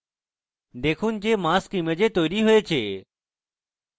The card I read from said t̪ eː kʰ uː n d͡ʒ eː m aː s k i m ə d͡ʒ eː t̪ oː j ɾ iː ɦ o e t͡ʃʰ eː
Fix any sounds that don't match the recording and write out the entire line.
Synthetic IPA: d̪ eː kʰ uː n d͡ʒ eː m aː s k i m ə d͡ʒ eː t̪ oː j ɾ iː ɦ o e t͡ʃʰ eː